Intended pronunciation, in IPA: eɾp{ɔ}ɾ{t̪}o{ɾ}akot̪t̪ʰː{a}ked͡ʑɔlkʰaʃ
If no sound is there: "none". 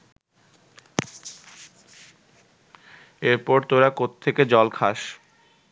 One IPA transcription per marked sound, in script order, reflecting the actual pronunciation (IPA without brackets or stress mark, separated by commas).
ɔ, t̪, ɾ, e